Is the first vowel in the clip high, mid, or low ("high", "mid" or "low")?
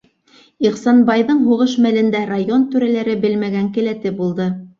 high